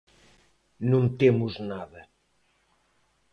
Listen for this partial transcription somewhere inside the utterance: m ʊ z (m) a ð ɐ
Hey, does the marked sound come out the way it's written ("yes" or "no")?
no